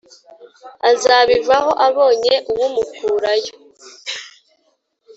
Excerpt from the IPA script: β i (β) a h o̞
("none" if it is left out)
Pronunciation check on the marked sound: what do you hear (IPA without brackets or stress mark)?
v